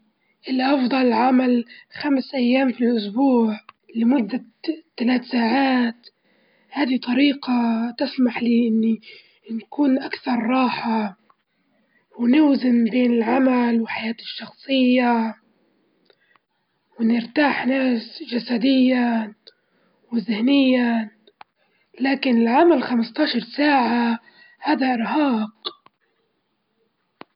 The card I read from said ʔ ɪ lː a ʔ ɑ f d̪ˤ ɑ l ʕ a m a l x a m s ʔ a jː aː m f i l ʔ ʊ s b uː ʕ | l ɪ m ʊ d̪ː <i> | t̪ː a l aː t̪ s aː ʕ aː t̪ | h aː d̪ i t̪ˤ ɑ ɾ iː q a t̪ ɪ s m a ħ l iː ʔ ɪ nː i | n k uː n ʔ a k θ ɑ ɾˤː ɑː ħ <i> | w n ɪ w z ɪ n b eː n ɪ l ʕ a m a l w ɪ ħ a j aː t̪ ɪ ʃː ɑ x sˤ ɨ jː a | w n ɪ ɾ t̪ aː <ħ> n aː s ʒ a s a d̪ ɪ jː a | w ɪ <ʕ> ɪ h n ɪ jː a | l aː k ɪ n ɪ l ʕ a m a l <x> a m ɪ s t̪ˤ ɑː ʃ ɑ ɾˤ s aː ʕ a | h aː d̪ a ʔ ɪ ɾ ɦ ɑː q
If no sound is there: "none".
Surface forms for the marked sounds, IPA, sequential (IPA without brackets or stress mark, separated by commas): a, a, ħ, z, x